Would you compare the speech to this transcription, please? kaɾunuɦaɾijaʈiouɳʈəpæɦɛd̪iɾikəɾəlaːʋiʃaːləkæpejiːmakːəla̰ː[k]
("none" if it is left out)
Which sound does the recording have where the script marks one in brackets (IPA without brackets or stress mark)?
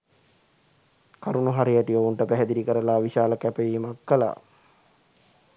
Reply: none